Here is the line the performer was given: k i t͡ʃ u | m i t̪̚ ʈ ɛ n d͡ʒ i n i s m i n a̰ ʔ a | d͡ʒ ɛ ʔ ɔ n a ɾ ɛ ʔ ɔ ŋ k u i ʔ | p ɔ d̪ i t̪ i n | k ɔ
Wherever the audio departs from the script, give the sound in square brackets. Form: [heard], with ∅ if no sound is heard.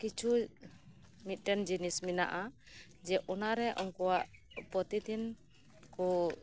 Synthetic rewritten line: k i t͡ʃ u | m i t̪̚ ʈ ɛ n d͡ʒ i n i s m i n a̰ ʔ a | d͡ʒ ɛ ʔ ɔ n a ɾ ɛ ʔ ɔ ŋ k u [a] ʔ | p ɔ [t̪] i t̪ i n | k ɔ